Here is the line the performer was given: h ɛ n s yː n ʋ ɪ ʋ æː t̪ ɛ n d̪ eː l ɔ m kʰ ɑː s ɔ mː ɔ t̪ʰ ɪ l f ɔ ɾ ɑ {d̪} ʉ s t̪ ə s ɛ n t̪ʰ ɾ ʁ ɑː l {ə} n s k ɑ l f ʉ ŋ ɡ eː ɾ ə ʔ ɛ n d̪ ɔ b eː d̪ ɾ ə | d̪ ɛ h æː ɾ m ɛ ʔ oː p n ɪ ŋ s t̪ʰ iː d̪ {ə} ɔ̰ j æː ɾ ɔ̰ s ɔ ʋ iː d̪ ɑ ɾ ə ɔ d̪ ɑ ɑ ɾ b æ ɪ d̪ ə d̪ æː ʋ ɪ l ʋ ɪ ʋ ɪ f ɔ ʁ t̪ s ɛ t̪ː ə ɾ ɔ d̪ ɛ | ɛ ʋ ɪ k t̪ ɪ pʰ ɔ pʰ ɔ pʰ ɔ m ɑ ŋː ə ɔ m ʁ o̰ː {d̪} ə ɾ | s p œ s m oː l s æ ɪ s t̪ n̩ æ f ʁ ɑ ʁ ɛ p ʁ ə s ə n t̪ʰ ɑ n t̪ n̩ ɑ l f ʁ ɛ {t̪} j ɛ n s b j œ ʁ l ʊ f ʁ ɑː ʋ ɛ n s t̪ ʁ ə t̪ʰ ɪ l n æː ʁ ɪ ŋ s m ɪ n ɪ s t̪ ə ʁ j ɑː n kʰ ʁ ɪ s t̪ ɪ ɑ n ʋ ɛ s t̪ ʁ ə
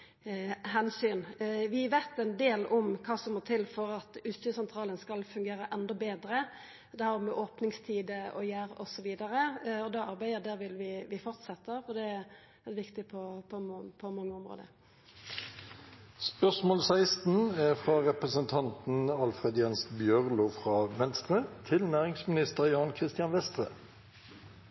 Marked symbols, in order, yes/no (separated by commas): no, yes, yes, yes, no